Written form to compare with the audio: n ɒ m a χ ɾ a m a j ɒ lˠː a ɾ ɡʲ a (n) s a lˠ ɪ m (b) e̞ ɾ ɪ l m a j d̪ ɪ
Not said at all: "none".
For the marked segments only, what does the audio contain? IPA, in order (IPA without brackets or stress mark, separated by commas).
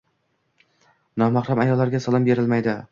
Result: none, b